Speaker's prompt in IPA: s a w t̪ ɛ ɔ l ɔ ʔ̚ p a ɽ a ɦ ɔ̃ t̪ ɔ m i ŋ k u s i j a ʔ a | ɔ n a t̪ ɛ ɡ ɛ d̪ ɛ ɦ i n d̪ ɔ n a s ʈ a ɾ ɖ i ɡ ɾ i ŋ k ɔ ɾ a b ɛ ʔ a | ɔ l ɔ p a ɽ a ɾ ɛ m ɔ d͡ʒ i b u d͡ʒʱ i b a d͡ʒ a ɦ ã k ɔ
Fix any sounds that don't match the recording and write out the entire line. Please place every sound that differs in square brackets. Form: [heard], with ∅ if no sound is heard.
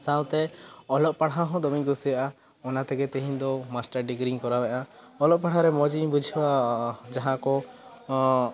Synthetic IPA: s a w t̪ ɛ ɔ l ɔ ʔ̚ p a ɽ a ɦ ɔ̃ [d̪] ɔ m i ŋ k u s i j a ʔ a | ɔ n a t̪ ɛ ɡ ɛ [t̪] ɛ ɦ i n d̪ ɔ [m] a s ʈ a ɾ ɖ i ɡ ɾ i ŋ k ɔ ɾ a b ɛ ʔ a | ɔ l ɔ p a ɽ a ɾ ɛ m ɔ d͡ʒ i b u d͡ʒʱ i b a d͡ʒ a ɦ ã k ɔ